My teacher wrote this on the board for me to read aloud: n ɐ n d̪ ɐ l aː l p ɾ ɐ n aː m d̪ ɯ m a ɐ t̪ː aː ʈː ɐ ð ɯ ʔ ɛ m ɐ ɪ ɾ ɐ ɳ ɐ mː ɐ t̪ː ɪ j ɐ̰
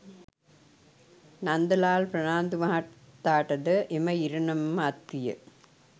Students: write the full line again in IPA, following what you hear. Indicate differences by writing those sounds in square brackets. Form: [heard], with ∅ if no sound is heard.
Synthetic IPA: n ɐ n d̪ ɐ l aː l p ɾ ɐ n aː [n] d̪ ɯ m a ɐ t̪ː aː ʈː ɐ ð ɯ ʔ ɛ m ɐ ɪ ɾ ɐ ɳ ɐ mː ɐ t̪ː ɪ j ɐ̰